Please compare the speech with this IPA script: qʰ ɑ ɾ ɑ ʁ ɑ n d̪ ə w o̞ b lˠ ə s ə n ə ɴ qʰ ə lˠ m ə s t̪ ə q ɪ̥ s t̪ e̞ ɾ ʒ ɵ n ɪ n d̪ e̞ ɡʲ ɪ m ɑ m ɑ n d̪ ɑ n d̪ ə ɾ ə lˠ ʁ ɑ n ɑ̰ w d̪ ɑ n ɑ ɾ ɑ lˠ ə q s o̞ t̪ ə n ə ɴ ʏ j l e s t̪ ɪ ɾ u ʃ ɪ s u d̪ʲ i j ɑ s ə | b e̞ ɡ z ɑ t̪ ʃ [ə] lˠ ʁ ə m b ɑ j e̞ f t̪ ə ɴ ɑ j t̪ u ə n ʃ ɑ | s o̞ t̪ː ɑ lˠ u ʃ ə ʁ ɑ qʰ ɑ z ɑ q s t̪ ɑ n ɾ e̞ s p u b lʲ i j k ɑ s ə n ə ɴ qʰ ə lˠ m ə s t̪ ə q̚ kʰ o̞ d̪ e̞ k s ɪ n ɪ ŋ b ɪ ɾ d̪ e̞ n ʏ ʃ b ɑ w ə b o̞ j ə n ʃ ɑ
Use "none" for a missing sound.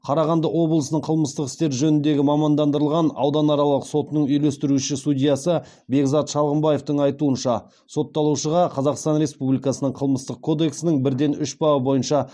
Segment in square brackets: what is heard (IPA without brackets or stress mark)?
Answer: ɑ